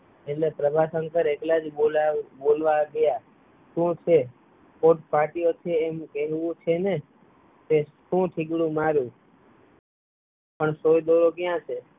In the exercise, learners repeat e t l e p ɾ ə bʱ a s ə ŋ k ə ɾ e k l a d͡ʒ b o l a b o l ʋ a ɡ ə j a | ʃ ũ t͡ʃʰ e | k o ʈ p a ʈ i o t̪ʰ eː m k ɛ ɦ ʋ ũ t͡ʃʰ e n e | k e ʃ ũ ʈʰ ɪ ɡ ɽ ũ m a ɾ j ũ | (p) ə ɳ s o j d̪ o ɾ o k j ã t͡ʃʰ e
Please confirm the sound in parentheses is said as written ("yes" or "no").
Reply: yes